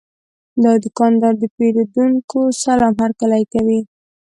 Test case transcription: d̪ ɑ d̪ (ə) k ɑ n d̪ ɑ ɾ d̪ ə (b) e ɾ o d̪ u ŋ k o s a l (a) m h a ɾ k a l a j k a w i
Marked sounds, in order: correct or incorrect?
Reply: correct, incorrect: p, incorrect: ɑ

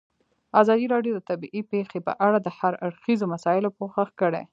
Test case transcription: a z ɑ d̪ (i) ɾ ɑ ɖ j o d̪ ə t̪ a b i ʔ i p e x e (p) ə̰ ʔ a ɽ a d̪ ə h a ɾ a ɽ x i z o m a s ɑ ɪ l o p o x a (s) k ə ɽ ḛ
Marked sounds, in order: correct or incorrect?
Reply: correct, correct, incorrect: x

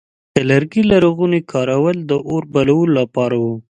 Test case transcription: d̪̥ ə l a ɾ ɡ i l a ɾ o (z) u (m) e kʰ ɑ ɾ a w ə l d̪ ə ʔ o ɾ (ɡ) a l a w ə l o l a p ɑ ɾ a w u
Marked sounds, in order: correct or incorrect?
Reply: incorrect: ɣ, incorrect: n, incorrect: b

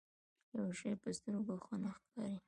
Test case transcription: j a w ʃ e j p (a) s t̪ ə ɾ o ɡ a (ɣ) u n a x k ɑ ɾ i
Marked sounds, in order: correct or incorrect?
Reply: incorrect: ə, incorrect: x

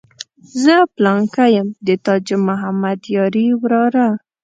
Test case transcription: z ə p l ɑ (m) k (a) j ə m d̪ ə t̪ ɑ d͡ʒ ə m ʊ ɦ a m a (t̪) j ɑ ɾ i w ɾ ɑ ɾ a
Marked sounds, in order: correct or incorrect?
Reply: incorrect: ŋ, correct, incorrect: d̪

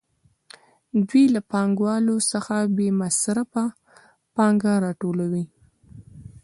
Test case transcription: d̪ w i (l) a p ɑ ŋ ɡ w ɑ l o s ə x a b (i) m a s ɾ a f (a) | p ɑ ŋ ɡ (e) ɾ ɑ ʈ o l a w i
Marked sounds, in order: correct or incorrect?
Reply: correct, incorrect: e, correct, incorrect: a

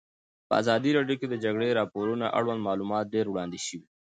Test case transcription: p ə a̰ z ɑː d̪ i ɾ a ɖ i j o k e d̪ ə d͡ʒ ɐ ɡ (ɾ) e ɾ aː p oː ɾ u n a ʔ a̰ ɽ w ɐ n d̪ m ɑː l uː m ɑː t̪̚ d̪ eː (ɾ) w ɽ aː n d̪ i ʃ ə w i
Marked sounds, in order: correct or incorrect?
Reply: incorrect: ɽ, correct

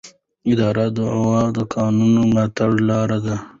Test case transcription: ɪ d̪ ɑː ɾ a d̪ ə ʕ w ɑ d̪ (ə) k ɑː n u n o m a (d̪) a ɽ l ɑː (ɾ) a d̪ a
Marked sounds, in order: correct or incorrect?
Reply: correct, incorrect: t̪, correct

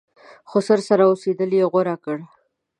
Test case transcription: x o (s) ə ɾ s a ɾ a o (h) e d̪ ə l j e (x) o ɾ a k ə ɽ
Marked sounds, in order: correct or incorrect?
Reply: correct, incorrect: s, incorrect: ɣ

